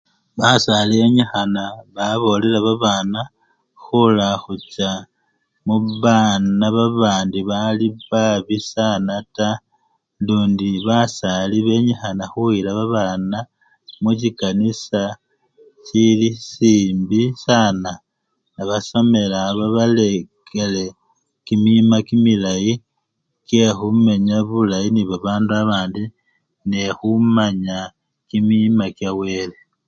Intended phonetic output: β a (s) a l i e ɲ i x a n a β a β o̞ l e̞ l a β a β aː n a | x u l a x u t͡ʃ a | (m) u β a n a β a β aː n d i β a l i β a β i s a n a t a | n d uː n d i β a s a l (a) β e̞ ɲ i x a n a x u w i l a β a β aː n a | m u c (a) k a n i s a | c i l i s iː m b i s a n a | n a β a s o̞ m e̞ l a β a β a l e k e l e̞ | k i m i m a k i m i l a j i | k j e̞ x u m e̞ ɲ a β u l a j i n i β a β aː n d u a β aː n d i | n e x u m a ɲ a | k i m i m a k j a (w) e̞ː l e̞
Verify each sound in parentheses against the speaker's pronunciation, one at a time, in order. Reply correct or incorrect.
correct, correct, incorrect, incorrect, correct

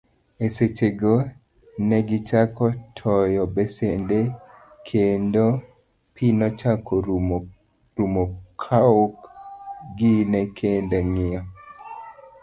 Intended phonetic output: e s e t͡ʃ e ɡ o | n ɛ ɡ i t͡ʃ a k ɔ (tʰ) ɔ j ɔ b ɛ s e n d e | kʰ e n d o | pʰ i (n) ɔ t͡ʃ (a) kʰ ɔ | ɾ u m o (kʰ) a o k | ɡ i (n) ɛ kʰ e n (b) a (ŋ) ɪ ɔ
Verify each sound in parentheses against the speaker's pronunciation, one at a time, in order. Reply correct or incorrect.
correct, correct, correct, correct, correct, incorrect, correct

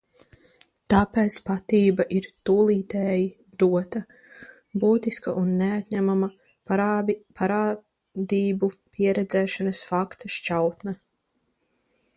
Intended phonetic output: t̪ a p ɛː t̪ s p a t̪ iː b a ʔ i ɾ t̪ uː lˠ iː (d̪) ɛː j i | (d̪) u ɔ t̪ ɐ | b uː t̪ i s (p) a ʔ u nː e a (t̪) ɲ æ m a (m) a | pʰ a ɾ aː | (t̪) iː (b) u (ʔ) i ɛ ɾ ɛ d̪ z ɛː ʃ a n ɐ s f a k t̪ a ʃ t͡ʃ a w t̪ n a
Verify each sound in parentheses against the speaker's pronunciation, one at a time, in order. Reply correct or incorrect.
incorrect, correct, incorrect, correct, correct, incorrect, correct, incorrect

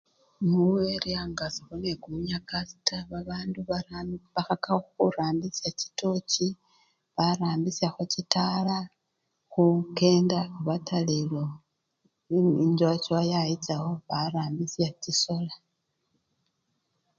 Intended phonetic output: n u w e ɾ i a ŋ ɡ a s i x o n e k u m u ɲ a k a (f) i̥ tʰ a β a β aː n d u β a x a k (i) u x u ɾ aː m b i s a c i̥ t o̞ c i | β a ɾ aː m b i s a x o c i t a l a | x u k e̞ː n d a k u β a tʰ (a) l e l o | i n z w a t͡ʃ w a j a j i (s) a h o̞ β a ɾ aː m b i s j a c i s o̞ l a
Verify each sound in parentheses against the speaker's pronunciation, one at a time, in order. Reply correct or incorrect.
incorrect, incorrect, correct, incorrect

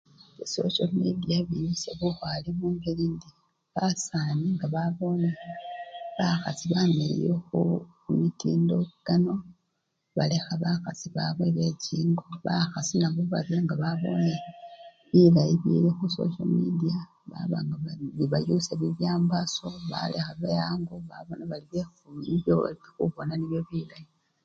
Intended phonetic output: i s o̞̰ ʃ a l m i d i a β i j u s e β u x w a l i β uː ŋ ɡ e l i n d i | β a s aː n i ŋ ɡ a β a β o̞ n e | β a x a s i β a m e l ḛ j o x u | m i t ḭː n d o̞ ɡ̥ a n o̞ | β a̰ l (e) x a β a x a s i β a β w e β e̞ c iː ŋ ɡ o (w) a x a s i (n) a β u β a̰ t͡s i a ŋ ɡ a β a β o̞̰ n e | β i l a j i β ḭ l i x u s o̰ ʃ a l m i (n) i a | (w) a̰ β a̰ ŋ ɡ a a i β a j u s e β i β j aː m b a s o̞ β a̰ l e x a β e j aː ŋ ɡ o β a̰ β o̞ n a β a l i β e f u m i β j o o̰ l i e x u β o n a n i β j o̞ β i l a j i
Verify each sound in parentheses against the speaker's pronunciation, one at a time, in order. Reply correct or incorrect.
correct, incorrect, correct, incorrect, incorrect

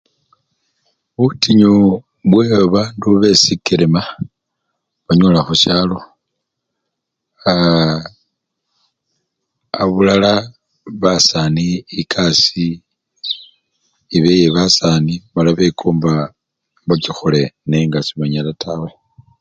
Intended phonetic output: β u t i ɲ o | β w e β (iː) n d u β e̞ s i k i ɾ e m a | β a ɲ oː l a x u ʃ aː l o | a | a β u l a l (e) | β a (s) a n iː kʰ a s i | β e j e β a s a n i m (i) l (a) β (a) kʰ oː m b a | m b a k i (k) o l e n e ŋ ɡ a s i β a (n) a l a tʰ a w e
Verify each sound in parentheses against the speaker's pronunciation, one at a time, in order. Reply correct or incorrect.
incorrect, incorrect, correct, incorrect, correct, incorrect, incorrect, incorrect

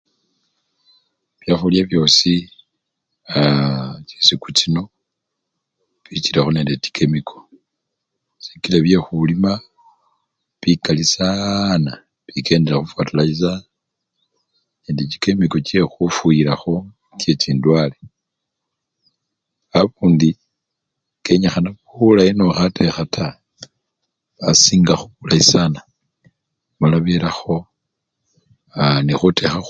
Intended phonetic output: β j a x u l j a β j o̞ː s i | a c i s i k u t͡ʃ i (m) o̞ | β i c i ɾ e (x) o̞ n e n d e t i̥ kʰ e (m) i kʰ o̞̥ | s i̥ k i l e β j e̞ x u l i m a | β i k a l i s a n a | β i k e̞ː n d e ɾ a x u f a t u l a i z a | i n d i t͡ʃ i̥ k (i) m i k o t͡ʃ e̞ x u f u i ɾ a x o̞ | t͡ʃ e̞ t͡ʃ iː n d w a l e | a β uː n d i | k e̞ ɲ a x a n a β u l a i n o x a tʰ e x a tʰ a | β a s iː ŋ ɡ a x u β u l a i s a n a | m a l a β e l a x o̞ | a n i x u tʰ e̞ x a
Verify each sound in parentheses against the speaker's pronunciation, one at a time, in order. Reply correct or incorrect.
incorrect, correct, correct, incorrect

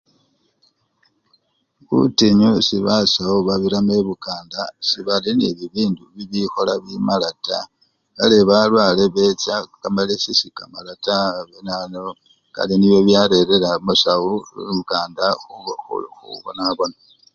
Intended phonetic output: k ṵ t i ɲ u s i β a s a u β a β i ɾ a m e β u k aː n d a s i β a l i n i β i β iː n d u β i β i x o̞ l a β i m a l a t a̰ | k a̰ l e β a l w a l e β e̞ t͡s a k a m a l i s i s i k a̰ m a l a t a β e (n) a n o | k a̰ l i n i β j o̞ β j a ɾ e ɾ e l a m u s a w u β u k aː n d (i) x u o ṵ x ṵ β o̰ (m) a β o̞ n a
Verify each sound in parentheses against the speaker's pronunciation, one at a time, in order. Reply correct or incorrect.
correct, incorrect, incorrect

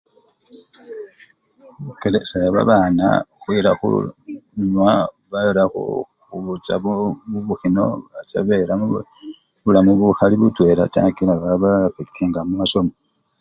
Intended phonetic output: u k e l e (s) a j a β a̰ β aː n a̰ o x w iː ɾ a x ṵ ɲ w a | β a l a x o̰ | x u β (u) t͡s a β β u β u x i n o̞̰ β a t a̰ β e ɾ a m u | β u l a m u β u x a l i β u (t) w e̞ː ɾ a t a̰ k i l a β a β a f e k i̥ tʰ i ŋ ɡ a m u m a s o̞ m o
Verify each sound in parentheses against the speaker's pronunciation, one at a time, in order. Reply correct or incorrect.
correct, correct, correct

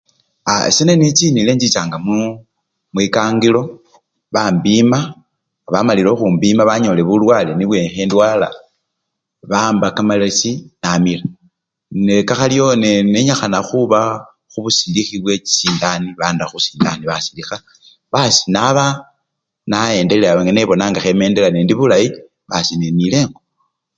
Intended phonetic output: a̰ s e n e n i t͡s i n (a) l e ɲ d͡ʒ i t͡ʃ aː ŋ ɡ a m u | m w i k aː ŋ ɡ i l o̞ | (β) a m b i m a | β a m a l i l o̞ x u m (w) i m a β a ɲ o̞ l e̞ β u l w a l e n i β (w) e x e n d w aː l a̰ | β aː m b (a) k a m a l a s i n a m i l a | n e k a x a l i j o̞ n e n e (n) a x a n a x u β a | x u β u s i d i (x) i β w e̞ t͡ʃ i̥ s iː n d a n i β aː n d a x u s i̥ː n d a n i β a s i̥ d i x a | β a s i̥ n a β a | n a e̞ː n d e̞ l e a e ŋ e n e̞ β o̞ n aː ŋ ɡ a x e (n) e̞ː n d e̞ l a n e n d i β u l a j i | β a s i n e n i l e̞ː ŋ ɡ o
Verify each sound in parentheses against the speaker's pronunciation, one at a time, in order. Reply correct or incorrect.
incorrect, correct, incorrect, correct, correct, incorrect, correct, incorrect

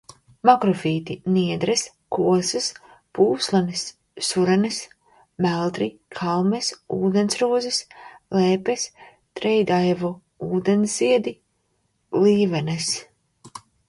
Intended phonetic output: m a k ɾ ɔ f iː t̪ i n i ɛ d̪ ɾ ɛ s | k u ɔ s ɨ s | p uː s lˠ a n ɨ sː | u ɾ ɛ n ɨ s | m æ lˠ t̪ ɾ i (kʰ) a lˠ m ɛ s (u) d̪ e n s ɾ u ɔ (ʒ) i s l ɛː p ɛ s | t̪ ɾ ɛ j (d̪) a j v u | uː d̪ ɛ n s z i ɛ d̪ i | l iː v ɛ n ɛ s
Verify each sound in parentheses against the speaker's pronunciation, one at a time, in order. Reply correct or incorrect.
correct, incorrect, incorrect, correct

